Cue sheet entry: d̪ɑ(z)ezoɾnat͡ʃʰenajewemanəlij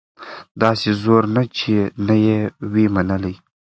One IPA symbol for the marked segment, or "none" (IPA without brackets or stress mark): s